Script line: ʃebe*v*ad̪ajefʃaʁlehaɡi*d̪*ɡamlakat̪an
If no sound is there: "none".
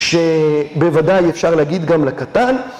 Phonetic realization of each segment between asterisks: v, d̪

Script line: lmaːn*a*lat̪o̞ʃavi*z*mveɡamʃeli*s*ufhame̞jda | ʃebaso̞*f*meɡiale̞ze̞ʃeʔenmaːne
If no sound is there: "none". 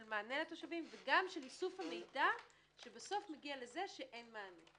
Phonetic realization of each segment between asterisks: e, none, s, f

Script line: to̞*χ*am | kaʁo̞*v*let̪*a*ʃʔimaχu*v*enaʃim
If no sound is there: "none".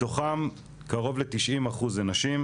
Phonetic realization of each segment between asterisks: χ, v, i, z

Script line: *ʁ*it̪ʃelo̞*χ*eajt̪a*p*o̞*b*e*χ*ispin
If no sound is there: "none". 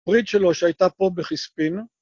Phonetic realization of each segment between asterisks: ʁ, ʃ, p, b, χ

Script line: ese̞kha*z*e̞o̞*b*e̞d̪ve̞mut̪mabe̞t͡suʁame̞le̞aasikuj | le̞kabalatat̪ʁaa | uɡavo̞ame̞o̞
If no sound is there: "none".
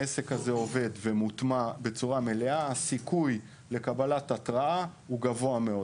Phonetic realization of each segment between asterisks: z, v

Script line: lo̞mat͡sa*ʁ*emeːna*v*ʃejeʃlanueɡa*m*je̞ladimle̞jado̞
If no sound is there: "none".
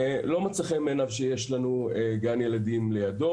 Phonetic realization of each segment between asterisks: χ, v, n

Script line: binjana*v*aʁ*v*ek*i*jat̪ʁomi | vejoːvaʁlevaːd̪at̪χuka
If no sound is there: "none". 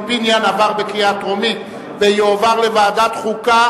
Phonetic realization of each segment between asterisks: v, b, i

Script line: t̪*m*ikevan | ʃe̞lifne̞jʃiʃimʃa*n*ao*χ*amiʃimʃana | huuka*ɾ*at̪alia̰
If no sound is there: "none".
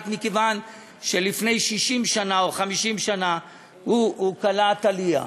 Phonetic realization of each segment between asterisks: m, n, χ, l

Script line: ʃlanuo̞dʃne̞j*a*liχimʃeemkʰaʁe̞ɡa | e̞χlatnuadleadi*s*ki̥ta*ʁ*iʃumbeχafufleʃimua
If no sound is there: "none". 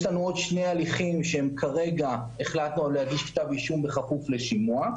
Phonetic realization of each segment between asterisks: a, ʃ, v

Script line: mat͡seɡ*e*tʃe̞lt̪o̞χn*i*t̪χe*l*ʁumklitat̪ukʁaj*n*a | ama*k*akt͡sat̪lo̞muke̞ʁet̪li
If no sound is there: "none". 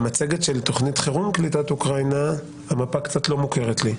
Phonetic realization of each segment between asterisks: e, i, none, n, p

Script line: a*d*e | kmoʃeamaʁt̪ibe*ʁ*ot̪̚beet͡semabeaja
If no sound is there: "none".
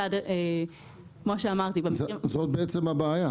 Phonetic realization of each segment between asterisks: d, z

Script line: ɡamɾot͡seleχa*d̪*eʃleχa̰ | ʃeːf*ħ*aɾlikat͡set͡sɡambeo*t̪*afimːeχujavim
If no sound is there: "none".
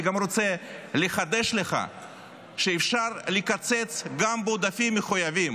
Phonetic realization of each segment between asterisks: d̪, ʃ, d̪

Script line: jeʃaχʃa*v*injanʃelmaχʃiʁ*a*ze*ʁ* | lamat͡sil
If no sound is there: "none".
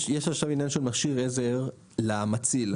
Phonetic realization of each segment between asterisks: v, e, ʁ

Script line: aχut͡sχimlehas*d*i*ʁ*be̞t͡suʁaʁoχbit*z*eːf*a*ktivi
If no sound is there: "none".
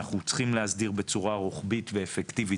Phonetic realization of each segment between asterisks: d, ʁ, v, e

